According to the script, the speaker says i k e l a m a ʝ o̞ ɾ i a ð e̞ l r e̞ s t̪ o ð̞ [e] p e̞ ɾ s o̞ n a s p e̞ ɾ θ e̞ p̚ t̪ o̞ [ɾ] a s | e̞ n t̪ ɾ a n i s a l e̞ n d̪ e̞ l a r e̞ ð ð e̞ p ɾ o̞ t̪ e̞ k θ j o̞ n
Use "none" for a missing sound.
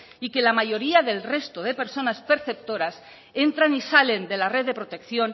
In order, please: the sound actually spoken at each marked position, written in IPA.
e, ɾ

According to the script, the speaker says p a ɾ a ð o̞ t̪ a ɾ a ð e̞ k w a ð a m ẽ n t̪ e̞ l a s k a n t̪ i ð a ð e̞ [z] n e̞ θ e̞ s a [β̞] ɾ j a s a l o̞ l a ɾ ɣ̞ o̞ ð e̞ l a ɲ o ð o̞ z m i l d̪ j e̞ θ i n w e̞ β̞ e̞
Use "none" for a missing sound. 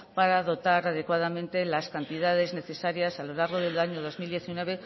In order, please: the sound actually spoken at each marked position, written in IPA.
z, none

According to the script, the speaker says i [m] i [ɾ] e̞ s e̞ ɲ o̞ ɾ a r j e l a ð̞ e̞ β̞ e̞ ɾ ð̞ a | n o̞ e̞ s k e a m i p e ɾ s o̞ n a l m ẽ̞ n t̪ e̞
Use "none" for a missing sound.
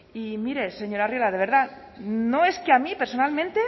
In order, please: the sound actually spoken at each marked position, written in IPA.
m, ɾ

